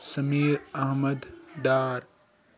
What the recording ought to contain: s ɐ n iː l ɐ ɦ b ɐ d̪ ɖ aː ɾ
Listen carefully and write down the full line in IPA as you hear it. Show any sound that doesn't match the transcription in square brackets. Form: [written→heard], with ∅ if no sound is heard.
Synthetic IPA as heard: s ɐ [n→m] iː [l→ɾ] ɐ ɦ [b→m] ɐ d̪ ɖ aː ɾ